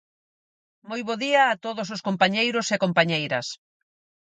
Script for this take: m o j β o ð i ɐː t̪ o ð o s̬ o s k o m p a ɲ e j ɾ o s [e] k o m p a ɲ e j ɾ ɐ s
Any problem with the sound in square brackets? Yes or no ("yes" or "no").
no